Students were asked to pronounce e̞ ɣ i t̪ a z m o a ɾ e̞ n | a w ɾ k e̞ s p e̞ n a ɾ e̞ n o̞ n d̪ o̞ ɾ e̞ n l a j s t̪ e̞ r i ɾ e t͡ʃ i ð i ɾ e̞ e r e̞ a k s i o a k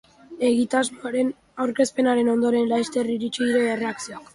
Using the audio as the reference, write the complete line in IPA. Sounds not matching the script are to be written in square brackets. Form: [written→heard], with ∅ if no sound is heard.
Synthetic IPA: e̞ ɣ i t̪ a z m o a ɾ e̞ n | a w ɾ k e̞ s p e̞ n a ɾ e̞ n o̞ n d̪ o̞ ɾ e̞ n l a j s t̪ e̞ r i ɾ [e→i] t͡ʃ i ð i ɾ e̞ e r e̞ a k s i o a k